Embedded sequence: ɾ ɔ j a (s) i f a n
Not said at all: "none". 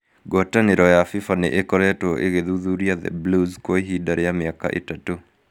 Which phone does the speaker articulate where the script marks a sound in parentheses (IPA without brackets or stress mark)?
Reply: f